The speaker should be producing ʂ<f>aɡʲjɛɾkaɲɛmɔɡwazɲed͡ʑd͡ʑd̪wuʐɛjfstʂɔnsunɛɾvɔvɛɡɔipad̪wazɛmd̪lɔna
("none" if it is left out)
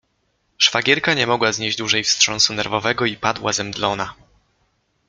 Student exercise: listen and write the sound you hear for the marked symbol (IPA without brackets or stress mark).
f